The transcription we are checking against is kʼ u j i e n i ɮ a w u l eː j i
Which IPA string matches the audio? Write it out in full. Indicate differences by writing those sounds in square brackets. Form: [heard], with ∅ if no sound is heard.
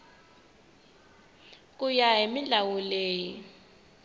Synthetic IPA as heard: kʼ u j [a] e [m] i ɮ a w u l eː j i